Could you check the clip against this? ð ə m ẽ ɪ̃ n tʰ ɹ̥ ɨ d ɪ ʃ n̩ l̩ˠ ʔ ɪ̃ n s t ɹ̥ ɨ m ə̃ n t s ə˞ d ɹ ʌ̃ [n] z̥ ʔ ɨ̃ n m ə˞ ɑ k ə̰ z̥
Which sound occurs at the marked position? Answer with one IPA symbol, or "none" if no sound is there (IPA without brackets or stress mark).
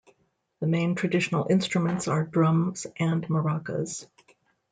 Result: m